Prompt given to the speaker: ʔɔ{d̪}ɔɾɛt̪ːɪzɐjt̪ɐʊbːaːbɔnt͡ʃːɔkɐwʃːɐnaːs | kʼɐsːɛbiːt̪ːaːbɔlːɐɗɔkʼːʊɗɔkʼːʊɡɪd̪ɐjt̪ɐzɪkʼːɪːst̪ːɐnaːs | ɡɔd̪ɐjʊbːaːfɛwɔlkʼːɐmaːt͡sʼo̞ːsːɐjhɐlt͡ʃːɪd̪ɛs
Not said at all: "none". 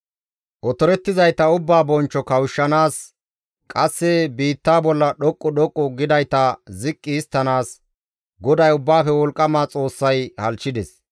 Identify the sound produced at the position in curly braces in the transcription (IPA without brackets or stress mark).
t̪